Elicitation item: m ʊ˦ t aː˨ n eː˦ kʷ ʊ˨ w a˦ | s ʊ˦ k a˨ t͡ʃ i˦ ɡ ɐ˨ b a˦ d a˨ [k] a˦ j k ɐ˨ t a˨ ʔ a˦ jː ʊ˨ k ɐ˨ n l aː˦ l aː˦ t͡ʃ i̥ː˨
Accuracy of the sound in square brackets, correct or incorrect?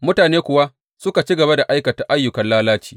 incorrect: ʔ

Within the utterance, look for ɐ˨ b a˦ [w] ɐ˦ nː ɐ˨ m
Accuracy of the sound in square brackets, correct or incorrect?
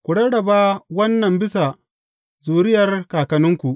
correct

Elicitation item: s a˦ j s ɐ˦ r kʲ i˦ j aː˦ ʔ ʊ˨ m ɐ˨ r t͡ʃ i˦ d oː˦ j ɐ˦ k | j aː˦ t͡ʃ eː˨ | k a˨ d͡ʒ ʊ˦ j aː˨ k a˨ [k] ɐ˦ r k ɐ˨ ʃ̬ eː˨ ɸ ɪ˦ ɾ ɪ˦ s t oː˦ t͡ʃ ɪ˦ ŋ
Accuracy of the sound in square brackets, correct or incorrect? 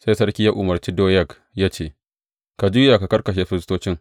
correct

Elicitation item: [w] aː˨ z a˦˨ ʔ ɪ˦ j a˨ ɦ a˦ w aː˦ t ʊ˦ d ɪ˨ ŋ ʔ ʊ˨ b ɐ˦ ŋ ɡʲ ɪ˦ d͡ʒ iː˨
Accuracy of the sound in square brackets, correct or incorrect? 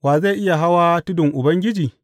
correct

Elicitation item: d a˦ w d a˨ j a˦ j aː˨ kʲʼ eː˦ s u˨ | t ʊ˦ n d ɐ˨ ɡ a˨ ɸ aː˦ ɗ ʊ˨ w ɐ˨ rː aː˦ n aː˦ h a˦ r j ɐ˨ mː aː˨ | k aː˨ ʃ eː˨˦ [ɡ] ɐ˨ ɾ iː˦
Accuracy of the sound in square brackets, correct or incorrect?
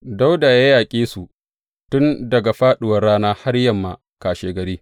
correct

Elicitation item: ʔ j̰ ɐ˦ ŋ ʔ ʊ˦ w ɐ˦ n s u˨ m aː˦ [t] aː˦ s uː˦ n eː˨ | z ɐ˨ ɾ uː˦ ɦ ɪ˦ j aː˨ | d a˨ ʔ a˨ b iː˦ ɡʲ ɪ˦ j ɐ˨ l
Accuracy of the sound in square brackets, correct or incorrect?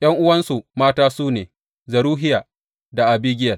correct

